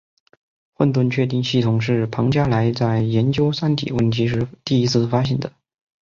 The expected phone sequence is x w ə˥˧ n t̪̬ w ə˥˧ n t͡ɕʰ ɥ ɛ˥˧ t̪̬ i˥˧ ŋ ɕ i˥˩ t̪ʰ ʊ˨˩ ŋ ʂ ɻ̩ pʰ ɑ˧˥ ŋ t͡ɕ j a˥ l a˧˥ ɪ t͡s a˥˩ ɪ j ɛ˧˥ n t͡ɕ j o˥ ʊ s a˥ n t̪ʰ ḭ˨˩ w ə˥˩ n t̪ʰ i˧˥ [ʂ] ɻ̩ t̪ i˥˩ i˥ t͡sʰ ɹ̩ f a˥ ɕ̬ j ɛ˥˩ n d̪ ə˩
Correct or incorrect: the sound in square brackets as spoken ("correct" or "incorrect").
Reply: correct